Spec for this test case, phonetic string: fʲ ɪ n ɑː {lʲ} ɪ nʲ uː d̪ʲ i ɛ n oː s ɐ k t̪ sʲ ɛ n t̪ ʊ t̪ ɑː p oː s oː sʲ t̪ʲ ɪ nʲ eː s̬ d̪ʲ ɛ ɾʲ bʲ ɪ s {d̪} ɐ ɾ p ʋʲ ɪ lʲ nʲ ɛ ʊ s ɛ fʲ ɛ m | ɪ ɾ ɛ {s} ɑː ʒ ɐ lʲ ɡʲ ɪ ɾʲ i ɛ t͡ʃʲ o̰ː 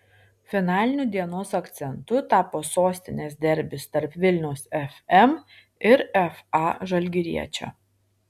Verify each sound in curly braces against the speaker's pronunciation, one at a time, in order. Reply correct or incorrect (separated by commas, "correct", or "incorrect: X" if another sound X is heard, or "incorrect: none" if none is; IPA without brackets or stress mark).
correct, incorrect: t̪, incorrect: f